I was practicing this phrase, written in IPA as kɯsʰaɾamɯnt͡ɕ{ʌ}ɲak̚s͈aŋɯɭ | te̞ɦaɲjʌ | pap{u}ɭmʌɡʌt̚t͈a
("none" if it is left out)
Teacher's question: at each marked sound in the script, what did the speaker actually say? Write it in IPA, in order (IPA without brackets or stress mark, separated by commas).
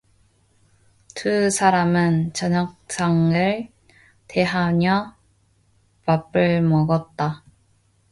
ʌ, ɯ